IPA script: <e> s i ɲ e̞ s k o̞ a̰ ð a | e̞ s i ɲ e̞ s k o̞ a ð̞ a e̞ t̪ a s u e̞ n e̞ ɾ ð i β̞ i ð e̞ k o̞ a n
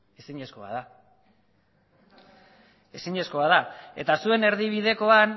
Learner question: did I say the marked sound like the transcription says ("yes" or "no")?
yes